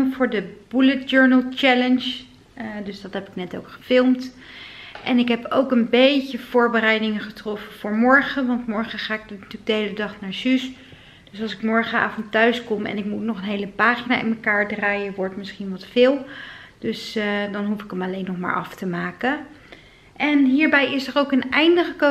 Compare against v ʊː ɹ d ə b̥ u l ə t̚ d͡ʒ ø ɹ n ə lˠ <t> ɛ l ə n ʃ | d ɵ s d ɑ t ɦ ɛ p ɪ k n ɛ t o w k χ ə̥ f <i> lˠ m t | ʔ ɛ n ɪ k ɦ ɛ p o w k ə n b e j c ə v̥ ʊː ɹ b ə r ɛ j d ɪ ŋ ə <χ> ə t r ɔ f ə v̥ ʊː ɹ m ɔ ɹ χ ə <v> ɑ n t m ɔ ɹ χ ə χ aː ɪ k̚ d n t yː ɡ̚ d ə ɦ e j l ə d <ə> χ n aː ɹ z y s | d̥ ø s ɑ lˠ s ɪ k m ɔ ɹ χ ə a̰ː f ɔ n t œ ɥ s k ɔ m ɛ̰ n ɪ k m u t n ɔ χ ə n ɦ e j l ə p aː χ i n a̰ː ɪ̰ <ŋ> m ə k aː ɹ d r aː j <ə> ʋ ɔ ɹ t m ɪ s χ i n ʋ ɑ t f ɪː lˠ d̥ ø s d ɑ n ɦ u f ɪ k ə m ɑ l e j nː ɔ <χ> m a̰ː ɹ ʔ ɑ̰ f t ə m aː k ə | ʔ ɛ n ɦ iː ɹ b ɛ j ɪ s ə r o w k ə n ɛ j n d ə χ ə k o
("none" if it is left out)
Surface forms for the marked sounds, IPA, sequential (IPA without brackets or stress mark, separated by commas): t͡ʃ, ɪ, χ, ʋ, ɑ, n, ə, χ